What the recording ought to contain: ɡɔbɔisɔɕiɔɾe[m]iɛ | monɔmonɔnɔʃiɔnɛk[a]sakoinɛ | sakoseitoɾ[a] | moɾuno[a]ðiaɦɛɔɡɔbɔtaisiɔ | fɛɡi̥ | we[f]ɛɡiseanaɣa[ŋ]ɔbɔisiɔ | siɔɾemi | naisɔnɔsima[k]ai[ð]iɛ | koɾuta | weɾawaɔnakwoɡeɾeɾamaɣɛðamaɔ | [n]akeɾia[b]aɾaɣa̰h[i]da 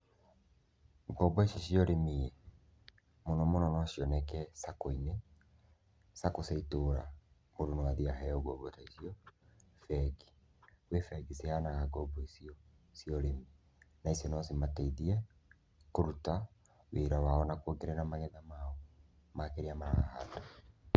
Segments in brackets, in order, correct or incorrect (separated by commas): correct, incorrect, correct, correct, correct, incorrect, incorrect, correct, incorrect, incorrect, incorrect